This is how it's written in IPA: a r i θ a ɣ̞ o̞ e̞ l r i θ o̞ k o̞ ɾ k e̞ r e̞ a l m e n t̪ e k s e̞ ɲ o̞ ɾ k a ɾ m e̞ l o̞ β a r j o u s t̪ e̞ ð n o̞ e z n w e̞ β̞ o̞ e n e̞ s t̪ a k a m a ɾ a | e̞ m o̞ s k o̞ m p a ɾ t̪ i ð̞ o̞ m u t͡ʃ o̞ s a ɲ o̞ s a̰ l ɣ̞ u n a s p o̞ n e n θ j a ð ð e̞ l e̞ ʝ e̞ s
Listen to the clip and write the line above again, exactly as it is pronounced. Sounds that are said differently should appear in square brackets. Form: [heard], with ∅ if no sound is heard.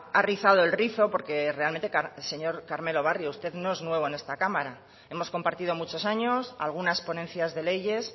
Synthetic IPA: a r i θ a [ð̞] o̞ e̞ l r i θ o̞ [p] o̞ ɾ k e̞ r e̞ a l m e n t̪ e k s e̞ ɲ o̞ ɾ k a ɾ m e̞ l o̞ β a r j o u s t̪ e̞ ð n o̞ e z n w e̞ β̞ o̞ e n e̞ s t̪ a k a m a ɾ a | e̞ m o̞ s k o̞ m p a ɾ t̪ i ð̞ o̞ m u t͡ʃ o̞ s a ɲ o̞ s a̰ l ɣ̞ u n a s p o̞ n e n θ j a [z] ð e̞ l e̞ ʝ e̞ s